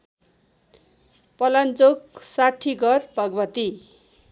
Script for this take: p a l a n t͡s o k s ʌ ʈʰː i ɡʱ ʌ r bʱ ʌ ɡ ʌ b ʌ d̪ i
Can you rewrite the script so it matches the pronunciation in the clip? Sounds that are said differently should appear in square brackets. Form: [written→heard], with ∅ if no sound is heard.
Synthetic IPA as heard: p [a→ʌ] l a n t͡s o k s [ʌ→a] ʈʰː i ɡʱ ʌ r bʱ ʌ ɡ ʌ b ʌ [d̪→t̪] i